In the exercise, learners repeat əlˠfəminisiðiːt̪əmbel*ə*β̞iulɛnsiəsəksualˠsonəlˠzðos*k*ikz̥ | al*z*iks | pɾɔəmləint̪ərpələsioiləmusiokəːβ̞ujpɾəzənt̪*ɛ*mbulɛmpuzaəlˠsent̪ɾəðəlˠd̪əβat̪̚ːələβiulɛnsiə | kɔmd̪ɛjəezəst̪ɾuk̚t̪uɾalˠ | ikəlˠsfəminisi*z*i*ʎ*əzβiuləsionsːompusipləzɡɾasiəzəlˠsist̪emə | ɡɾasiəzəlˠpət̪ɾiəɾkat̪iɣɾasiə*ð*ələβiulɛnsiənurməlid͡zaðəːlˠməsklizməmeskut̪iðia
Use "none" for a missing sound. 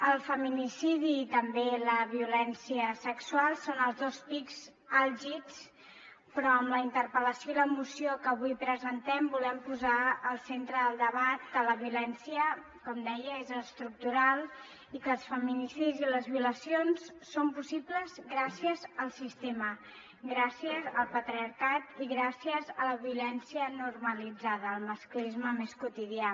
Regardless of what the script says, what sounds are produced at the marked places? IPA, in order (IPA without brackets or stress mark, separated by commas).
ə, p, ʒ, ɛ, z, l, z